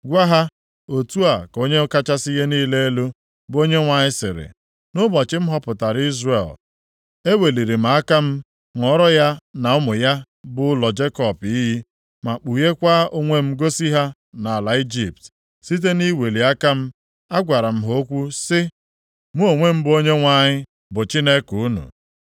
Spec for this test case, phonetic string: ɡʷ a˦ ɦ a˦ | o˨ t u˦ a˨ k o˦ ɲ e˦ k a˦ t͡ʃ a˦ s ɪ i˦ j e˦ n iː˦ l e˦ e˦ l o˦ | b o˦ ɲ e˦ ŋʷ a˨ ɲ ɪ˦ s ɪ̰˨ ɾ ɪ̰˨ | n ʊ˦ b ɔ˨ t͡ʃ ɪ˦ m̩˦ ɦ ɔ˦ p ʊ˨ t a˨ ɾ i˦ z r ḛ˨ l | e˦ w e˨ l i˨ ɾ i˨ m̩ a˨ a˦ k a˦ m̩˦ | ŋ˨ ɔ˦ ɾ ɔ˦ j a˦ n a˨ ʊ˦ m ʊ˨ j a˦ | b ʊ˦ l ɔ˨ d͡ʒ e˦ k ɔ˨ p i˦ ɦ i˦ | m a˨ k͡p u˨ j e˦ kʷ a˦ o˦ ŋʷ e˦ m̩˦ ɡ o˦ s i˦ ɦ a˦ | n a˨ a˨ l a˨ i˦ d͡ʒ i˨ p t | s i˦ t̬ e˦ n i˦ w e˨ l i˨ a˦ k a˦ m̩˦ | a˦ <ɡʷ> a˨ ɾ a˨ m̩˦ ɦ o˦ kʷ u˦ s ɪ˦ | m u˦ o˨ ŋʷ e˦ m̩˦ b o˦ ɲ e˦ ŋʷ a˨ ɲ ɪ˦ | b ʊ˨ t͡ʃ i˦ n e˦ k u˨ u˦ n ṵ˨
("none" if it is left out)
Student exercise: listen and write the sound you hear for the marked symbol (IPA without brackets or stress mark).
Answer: ɡʷ